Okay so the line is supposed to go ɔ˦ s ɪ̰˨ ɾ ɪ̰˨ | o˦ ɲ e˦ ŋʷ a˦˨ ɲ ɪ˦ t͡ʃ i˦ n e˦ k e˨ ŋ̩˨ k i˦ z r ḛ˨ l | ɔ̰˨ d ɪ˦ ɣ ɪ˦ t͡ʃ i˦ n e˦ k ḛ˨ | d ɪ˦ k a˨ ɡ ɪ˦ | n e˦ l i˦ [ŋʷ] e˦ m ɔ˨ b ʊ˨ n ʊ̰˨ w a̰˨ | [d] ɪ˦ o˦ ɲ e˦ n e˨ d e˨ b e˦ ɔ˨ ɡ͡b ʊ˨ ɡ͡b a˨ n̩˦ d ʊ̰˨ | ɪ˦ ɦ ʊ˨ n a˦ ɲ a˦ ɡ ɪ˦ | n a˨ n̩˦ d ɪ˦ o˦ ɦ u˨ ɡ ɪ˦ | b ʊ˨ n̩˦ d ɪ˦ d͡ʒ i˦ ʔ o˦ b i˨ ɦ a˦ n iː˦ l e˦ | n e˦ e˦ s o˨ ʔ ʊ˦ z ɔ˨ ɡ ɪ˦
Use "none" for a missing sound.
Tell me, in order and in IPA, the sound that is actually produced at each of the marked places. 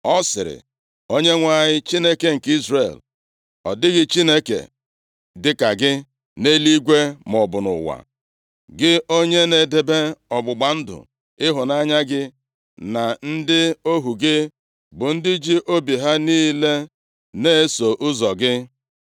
ɡʷ, ɡ

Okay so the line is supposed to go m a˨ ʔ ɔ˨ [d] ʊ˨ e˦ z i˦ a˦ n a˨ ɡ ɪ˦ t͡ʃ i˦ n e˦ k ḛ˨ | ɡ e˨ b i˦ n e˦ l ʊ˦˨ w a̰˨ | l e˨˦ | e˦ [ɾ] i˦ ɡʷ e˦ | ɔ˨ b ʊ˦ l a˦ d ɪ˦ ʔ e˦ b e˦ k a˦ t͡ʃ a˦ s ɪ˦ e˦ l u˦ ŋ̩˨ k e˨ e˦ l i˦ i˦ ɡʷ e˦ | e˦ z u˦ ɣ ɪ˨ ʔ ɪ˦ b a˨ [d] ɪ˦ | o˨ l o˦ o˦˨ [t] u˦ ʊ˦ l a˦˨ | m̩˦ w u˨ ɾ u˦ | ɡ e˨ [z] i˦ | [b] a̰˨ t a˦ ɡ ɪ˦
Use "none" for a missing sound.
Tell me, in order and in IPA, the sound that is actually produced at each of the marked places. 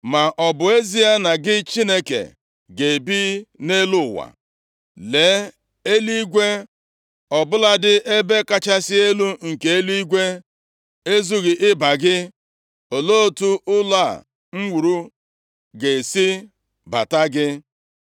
b, l, ɡ, t, s, b

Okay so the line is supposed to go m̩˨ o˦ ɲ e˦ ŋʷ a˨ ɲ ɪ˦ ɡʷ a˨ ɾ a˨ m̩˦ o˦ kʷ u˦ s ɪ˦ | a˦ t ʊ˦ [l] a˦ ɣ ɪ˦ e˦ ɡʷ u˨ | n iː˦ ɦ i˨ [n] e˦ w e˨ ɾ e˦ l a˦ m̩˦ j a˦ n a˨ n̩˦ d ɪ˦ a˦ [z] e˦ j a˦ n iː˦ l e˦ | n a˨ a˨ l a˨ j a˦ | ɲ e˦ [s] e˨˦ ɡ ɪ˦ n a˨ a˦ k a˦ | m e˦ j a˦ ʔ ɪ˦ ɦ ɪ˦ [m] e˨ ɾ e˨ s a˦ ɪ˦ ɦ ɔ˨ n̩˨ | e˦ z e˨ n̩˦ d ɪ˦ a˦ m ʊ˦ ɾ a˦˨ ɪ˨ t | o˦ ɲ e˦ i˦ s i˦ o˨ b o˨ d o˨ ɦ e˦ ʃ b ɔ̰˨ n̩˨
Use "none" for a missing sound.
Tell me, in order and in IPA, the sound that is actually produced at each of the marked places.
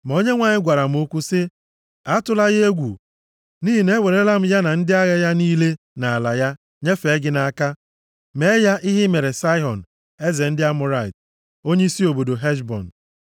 l, n, ɣ, f, m

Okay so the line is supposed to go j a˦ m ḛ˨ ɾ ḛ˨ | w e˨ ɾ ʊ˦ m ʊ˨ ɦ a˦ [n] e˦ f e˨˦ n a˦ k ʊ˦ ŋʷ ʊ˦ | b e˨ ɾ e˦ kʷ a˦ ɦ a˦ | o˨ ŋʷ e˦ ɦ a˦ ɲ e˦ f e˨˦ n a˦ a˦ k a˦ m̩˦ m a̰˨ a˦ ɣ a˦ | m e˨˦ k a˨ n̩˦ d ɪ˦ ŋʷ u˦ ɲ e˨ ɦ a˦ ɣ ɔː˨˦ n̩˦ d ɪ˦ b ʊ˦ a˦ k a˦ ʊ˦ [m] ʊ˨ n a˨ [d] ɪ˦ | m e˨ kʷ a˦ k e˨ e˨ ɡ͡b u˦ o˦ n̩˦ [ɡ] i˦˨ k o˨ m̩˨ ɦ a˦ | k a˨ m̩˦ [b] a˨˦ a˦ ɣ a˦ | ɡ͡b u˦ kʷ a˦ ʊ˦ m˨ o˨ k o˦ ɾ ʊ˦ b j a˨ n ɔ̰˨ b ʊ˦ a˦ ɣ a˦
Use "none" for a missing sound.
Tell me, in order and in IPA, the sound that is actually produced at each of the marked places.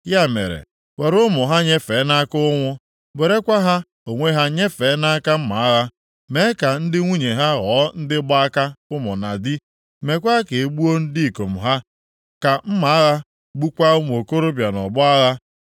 ɲ, m, d, d, m

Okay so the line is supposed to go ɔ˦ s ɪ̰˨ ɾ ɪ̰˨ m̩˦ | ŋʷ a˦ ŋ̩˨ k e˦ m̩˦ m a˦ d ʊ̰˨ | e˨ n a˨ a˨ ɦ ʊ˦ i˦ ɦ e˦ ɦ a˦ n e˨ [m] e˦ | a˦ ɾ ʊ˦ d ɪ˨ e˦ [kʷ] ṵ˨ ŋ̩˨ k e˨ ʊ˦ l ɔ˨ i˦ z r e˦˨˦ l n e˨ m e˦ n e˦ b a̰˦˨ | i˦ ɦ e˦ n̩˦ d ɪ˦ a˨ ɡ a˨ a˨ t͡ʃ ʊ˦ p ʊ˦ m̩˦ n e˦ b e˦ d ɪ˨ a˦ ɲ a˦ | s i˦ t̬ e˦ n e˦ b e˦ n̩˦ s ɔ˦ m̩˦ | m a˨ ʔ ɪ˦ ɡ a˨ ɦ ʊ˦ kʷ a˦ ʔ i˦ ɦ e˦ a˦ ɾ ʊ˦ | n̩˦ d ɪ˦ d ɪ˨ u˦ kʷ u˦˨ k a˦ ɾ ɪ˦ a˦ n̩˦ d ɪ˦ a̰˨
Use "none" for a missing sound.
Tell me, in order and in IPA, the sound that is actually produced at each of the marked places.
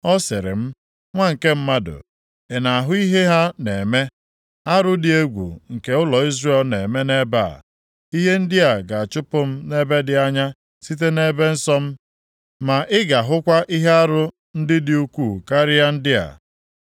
m, ɡʷ

